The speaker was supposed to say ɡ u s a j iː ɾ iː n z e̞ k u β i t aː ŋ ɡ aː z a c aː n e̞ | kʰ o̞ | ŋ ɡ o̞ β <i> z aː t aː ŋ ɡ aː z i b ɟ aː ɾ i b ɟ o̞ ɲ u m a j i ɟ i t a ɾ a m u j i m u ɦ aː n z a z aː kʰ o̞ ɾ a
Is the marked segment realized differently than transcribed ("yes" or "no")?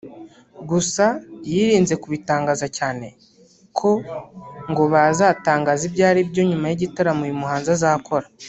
yes